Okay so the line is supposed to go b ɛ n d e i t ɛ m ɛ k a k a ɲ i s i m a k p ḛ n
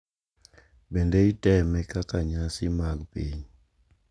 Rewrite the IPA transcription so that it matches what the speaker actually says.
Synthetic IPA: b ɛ n d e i t ɛ m ɛ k a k a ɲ a s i m a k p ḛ ɲ